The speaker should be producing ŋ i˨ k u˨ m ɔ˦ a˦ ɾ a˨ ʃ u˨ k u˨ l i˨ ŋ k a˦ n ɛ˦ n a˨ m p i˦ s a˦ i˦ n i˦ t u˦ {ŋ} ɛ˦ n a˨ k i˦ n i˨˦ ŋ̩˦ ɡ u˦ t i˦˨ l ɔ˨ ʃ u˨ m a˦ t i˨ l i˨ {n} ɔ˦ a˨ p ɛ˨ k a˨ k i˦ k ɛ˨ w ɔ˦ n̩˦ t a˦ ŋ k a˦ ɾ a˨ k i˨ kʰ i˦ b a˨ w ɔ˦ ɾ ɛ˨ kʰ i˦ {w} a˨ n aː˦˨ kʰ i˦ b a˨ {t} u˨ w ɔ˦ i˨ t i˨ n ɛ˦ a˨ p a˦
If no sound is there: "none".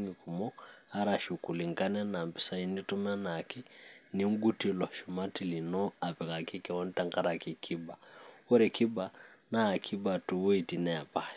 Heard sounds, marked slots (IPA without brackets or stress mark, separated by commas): m, n, b, t